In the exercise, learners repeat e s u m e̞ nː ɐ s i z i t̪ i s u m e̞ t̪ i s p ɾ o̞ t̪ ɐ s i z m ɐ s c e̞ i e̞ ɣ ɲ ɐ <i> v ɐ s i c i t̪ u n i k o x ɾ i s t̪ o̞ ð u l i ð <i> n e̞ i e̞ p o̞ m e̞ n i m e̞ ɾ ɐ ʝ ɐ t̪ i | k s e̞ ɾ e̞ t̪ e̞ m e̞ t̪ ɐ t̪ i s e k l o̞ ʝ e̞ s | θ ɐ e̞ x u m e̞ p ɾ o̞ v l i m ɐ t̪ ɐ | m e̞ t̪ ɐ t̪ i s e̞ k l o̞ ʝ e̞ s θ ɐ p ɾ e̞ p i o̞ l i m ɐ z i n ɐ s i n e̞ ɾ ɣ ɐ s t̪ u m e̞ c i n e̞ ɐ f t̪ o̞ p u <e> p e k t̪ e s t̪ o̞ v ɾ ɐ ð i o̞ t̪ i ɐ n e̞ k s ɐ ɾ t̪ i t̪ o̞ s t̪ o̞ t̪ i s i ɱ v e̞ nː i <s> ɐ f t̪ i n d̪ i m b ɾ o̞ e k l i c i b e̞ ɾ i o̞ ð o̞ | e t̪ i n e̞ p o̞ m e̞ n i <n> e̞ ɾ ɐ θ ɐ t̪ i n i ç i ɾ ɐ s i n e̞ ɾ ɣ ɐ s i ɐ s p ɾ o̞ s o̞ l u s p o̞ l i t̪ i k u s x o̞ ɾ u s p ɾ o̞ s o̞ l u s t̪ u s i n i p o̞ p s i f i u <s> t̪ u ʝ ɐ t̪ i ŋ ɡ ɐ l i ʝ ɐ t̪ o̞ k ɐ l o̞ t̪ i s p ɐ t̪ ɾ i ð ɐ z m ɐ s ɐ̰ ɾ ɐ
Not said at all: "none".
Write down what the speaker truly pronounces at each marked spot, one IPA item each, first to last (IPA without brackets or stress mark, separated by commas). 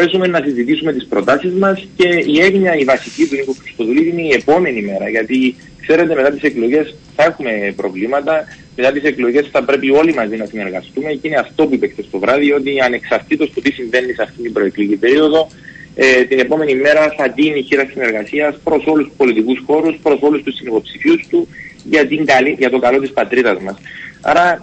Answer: i, i, i, s, m, s